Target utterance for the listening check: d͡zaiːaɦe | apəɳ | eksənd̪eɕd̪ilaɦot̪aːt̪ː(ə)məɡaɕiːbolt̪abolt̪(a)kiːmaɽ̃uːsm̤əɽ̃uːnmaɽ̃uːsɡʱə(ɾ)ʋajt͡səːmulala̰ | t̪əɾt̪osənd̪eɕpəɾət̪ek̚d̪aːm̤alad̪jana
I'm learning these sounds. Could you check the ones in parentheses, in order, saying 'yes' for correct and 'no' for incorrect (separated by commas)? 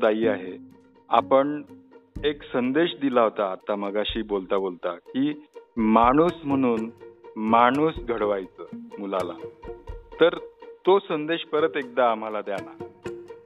no, yes, no